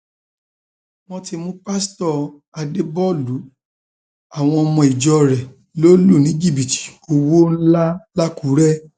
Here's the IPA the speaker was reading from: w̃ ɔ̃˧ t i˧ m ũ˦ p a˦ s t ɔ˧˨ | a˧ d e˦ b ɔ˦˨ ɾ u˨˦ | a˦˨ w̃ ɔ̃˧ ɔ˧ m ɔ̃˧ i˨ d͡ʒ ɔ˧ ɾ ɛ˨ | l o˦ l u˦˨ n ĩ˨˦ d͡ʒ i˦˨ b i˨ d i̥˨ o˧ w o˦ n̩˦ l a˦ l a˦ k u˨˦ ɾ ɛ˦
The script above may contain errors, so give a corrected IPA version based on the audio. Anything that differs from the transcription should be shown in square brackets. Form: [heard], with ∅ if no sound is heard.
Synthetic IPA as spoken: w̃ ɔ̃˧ t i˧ m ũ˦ p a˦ s t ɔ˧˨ | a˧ d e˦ b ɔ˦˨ [l] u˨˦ | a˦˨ w̃ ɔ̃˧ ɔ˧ m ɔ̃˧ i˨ d͡ʒ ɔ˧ ɾ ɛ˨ | l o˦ l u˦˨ n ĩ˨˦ d͡ʒ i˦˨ b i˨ [t] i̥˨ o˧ w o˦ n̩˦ l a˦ l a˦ k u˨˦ ɾ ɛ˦